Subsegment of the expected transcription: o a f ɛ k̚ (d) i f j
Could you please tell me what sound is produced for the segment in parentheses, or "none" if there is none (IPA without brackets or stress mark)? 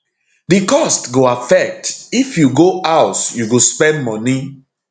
t